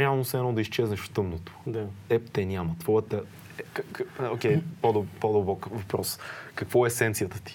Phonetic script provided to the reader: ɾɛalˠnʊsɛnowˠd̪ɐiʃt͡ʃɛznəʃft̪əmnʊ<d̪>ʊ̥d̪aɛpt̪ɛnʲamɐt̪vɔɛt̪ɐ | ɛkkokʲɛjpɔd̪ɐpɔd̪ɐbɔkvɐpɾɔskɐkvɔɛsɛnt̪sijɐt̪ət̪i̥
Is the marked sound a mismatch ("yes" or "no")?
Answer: yes